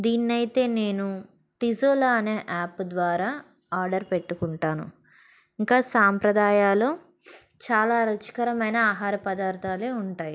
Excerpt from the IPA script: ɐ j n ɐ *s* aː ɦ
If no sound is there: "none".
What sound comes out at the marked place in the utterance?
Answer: none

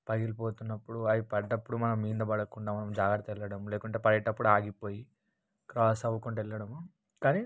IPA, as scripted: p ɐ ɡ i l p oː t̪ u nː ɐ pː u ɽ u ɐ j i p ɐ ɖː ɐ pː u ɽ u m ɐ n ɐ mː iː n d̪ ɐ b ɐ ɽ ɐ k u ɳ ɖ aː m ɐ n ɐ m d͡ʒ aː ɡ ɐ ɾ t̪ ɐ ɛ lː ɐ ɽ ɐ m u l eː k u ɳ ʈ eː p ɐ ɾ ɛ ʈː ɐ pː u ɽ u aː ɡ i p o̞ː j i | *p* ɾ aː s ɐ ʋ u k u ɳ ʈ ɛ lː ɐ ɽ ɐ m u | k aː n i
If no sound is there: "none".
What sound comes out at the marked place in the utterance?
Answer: k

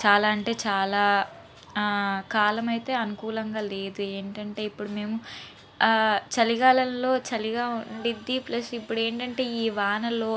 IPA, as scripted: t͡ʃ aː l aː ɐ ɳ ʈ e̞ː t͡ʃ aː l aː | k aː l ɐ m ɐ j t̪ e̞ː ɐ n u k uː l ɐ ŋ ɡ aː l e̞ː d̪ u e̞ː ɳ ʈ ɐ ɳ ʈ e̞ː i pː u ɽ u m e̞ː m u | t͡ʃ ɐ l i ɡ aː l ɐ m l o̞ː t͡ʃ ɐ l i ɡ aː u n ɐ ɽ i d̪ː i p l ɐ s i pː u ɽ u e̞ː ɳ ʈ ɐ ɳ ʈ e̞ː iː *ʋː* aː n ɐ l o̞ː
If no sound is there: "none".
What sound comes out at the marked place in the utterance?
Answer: ʋ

